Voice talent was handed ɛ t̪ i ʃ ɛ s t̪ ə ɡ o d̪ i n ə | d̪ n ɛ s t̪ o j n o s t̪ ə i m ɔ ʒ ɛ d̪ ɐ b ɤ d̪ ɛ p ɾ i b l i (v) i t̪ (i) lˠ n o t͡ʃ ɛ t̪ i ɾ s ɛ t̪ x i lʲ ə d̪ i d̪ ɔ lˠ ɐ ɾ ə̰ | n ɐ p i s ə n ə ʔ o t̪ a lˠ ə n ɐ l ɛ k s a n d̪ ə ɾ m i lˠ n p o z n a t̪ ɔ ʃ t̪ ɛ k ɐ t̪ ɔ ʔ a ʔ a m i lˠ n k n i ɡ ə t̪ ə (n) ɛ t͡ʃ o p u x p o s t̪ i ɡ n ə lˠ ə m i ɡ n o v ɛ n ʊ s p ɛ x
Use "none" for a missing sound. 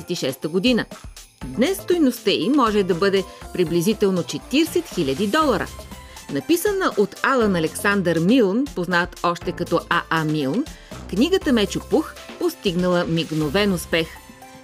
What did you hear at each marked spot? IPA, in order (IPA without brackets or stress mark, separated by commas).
z, ɛ, m